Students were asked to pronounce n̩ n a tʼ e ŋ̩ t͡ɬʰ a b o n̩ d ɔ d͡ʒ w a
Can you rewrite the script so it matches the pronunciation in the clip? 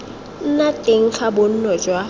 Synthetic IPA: n̩ n a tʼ e ŋ̩ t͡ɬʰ a b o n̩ n ɔ d͡ʒ w a